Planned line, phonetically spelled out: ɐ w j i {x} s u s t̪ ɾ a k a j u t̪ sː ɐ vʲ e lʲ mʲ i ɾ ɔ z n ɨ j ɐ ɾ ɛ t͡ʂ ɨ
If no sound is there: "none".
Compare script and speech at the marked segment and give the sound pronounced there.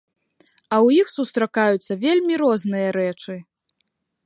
x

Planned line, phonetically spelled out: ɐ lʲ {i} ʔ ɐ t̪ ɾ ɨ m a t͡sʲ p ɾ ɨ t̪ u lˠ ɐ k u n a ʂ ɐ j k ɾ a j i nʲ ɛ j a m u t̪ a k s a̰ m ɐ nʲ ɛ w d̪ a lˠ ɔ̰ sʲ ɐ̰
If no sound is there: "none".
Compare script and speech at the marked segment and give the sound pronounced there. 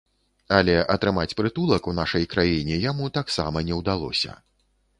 ɛ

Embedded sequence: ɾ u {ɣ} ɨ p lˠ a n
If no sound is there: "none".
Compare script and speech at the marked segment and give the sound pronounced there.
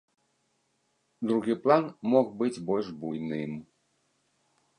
ɣ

